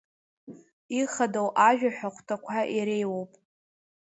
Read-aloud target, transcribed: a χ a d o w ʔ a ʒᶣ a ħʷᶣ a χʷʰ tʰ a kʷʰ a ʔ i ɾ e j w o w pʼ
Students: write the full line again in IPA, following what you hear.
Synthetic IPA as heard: i χ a d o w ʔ a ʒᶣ a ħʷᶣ a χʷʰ tʰ a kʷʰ a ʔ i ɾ e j w o w pʼ